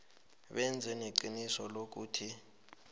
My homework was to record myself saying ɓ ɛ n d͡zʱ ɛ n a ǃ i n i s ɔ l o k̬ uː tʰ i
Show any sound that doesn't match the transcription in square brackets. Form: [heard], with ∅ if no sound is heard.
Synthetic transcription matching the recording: ɓ ɛ n d͡zʱ ɛ n [e] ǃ i n i s ɔ l o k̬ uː tʰ i